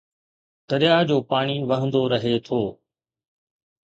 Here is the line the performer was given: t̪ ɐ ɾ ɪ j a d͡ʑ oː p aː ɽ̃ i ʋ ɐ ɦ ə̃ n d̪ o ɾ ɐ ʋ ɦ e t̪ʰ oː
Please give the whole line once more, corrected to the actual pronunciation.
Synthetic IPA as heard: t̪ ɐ ɾ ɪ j a d͡ʑ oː p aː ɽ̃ i ʋ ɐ ɦ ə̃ n d̪ o ɾ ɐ ɦ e t̪ʰ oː